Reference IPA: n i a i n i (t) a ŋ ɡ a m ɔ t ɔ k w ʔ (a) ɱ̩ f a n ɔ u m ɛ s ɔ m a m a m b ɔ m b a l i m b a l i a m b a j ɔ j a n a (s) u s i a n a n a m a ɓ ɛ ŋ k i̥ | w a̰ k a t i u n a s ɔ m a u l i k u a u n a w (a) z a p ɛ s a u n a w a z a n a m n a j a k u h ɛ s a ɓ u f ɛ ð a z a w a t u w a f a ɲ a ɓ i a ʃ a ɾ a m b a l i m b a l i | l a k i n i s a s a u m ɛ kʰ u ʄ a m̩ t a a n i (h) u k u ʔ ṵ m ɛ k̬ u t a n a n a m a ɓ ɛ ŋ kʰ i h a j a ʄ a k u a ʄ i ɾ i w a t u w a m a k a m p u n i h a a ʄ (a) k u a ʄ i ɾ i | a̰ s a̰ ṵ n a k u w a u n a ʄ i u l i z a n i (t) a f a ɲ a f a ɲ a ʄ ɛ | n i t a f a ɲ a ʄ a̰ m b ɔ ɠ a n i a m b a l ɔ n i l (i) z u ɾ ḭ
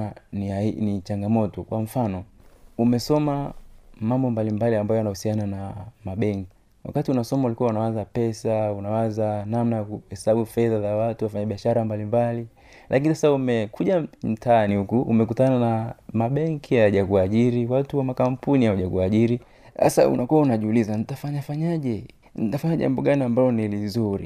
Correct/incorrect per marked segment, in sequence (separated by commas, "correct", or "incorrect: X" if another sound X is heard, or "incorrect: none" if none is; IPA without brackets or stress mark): incorrect: t͡ʃ, correct, incorrect: h, correct, correct, correct, correct, correct